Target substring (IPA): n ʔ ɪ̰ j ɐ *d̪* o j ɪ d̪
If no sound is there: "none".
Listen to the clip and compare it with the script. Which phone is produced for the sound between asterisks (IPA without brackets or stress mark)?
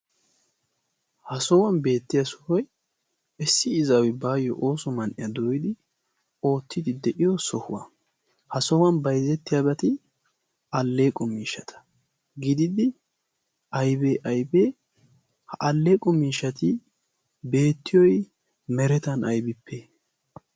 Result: d̪